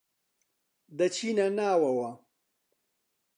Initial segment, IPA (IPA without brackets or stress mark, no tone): d̪